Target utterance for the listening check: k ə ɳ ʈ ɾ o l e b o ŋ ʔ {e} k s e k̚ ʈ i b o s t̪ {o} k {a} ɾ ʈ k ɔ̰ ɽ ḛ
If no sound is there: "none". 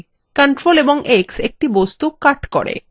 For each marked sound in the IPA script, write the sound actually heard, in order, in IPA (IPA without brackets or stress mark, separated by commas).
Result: e, u, a